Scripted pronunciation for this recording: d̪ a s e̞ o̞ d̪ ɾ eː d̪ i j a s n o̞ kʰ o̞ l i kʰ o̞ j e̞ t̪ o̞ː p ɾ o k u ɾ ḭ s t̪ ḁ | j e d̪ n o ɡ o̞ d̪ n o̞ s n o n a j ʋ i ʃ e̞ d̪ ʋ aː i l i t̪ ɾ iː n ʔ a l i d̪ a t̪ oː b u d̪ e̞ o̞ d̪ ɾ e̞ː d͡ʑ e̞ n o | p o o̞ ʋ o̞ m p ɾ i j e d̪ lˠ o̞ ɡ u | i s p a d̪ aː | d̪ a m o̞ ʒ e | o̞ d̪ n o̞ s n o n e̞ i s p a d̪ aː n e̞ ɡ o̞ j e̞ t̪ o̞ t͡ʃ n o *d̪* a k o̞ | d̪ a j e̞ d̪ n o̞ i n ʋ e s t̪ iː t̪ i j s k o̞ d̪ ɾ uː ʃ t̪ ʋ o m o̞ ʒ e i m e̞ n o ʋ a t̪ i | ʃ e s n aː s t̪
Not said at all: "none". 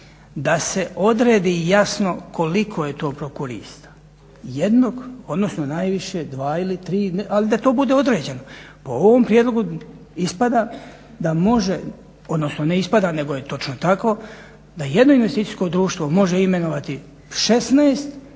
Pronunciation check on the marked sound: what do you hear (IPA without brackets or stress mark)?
t̪